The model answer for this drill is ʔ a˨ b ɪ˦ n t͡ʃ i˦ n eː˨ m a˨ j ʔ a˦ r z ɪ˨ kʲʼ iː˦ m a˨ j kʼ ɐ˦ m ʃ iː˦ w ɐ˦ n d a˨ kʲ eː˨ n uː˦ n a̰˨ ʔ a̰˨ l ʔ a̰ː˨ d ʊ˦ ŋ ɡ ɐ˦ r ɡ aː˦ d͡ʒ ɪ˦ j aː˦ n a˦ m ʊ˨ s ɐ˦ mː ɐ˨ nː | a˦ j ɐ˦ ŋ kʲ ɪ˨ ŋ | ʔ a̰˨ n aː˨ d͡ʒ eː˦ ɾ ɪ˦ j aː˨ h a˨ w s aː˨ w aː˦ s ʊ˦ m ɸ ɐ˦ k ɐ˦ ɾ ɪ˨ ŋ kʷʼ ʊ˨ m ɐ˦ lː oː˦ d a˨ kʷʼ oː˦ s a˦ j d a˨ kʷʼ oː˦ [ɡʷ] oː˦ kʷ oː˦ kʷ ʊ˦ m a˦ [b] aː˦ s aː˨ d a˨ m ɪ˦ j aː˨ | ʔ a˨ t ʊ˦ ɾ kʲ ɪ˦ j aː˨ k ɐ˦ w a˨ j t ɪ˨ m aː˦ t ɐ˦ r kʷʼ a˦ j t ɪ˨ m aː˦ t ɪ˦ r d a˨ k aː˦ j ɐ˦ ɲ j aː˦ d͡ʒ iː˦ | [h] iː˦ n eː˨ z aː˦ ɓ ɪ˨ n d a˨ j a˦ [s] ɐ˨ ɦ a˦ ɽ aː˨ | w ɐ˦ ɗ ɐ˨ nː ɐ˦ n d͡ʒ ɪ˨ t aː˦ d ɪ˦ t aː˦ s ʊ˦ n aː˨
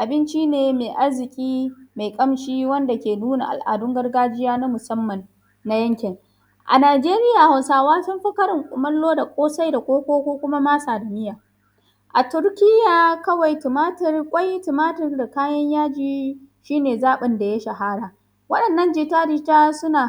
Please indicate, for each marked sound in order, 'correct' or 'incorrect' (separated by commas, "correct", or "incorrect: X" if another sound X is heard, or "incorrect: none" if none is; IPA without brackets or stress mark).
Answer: incorrect: kʷ, incorrect: m, incorrect: ʃ, incorrect: ʃ